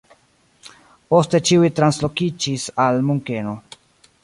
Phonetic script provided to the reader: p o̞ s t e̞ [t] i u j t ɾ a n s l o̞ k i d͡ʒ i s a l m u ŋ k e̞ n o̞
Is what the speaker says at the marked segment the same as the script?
no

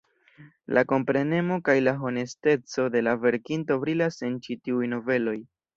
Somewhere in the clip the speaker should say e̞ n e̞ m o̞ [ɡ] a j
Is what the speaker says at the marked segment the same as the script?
no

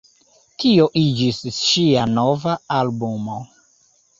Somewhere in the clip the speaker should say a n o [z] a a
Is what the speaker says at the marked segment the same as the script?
no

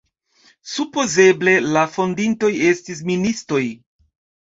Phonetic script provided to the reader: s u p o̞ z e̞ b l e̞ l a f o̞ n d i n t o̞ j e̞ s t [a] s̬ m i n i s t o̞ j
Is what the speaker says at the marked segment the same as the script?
no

